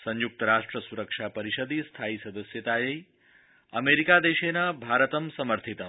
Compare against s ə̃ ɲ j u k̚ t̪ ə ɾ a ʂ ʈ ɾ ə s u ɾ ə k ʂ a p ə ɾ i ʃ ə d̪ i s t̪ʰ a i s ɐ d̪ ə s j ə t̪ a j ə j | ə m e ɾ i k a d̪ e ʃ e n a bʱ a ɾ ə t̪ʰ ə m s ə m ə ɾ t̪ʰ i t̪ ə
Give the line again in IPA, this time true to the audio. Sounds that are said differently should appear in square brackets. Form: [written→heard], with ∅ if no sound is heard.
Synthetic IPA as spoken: s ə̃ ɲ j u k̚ t̪ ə ɾ a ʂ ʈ ɾ ə s u ɾ ə k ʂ a p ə ɾ i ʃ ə d̪ i s t̪ʰ a i s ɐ d̪ ə s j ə t̪ a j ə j | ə m e ɾ i k a d̪ e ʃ e n a bʱ a ɾ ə [t̪ʰ→t̪] ə m s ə m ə ɾ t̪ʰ i t̪ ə